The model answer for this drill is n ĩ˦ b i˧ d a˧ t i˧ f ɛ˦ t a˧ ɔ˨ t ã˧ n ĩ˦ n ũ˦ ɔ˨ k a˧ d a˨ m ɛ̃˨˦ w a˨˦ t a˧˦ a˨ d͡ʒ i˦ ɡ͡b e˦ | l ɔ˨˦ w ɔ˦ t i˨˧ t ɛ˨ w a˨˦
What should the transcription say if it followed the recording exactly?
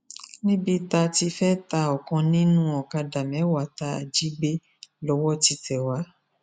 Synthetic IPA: n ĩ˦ b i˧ t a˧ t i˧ f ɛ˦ t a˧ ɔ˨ k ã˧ n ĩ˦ n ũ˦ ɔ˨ k a˧ d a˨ m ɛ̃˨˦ w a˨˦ t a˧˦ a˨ d͡ʒ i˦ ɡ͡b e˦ | l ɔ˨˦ w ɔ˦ t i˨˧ t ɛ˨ w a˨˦